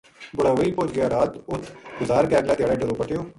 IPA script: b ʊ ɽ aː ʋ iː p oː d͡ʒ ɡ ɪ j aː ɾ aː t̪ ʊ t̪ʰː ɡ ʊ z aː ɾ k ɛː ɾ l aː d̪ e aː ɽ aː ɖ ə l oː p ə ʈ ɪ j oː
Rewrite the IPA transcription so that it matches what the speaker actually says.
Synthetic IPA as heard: b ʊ ɽ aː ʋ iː p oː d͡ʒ ɡ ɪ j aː ɾ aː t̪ ʊ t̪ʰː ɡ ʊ z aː ɾ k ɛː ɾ l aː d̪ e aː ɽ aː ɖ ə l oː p ə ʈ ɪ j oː